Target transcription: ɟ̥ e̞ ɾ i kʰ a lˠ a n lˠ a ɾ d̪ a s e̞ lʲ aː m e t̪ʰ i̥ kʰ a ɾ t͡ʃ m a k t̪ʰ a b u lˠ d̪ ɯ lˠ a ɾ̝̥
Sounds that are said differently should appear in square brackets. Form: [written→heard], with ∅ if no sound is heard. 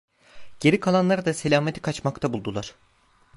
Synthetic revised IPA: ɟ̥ e̞ ɾ i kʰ a lˠ a n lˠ a ɾ d̪ a s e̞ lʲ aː m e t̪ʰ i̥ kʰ a [ɾ→∅] t͡ʃ m a k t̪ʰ a b u lˠ d̪ [ɯ→u] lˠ a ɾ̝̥